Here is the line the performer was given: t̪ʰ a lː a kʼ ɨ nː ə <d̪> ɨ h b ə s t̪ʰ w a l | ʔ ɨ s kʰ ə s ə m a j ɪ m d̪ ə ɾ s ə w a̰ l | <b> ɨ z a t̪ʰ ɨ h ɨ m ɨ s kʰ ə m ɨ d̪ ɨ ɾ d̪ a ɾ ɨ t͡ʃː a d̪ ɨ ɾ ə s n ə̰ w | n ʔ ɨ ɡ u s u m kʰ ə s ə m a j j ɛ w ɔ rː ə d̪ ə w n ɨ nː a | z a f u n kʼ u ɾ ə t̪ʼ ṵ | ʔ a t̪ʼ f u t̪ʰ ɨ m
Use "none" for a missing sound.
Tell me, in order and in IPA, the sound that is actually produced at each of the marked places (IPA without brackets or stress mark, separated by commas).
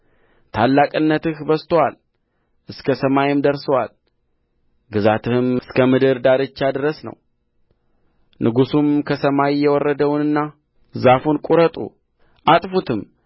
t̪, ɡ